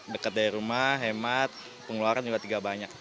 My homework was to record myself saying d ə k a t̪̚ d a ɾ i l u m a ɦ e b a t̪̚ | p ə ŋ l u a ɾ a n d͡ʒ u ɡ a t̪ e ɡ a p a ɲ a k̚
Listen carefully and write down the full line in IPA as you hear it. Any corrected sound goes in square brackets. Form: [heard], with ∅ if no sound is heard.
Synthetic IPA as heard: d ə k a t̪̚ d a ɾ i [ɾ] u m a ɦ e [m] a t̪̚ | p ə ŋ l u a ɾ a n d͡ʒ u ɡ a t̪ [i] ɡ a [b] a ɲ a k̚